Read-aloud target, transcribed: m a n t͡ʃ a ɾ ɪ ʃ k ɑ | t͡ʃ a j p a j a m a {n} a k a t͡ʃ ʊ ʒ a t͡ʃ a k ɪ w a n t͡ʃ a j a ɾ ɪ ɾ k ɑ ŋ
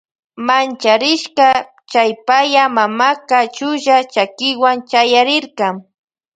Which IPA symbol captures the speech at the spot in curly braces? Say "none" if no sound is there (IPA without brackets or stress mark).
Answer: m